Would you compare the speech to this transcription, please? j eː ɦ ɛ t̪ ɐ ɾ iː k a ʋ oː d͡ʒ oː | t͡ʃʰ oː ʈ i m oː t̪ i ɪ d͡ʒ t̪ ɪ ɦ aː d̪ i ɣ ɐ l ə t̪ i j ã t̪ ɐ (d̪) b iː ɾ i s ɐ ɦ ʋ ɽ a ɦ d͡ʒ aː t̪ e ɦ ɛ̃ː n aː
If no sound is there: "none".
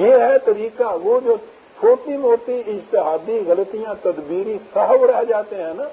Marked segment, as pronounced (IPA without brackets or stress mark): d̪